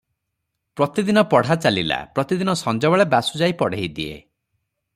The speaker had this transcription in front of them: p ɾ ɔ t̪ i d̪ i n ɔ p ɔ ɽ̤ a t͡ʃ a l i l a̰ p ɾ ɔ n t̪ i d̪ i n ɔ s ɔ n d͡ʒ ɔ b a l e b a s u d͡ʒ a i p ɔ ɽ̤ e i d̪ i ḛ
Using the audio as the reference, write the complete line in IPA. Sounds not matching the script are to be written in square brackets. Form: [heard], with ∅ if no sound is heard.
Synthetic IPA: p ɾ ɔ t̪ i d̪ i n ɔ p ɔ ɽ̤ a t͡ʃ a l i l a̰ p ɾ ɔ [∅] t̪ i d̪ i n ɔ s ɔ n d͡ʒ ɔ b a [ɭ] e b a s u d͡ʒ a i p ɔ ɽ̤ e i d̪ i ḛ